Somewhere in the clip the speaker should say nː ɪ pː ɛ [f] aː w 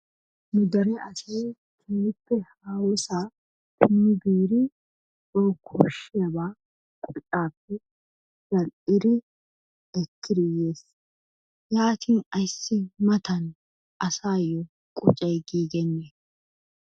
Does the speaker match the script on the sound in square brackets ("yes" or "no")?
no